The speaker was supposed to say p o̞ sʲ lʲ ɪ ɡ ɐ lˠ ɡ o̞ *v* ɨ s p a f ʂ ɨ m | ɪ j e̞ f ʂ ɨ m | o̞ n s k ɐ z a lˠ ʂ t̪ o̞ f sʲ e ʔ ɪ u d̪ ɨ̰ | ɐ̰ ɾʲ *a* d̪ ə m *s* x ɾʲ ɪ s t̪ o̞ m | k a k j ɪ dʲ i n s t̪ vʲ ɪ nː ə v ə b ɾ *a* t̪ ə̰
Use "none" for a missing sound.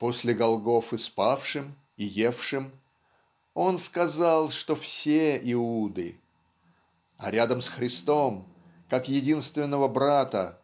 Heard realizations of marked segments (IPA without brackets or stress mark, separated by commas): f, a, s, a